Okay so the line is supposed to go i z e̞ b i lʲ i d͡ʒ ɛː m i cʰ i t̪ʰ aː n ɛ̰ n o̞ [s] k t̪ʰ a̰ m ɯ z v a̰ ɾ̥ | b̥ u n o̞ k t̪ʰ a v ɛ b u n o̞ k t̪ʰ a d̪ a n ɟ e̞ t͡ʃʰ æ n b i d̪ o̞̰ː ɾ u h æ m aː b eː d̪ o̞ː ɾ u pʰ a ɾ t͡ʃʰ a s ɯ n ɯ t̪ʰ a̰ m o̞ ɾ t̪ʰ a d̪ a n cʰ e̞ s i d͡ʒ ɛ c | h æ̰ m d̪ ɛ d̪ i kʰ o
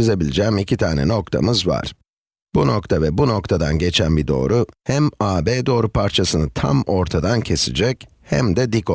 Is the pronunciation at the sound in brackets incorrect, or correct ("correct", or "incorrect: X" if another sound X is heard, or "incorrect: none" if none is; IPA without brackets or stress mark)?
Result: incorrect: none